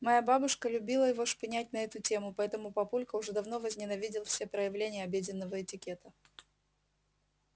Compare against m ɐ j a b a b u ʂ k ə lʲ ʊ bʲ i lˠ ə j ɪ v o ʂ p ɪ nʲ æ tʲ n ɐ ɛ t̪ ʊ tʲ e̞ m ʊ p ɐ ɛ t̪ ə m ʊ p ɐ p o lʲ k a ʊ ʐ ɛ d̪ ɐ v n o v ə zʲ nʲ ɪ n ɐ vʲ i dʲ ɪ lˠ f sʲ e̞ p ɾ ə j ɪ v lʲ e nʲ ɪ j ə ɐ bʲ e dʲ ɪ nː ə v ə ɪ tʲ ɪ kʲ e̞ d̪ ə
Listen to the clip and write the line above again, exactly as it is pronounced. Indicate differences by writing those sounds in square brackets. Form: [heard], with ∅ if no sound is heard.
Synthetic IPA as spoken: m ɐ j a b a b [ʊ] ʂ k ə lʲ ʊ bʲ i lˠ ə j ɪ v o ʂ p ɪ nʲ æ tʲ n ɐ ɛ t̪ ʊ tʲ e̞ m ʊ p ɐ ɛ t̪ ə m ʊ p ɐ p [u] lʲ k [ə] ʊ ʐ ɛ d̪ ɐ v n o v ə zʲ nʲ ɪ n ɐ vʲ i dʲ ɪ lˠ f sʲ e̞ p ɾ ə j ɪ v lʲ e nʲ ɪ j ə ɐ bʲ e dʲ ɪ nː ə v ə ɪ tʲ ɪ kʲ e̞ [t̪] ə